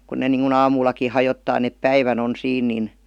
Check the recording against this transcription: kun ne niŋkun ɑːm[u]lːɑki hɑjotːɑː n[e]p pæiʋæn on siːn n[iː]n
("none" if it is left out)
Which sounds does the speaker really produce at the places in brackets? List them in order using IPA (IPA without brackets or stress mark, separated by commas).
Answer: uː, e, i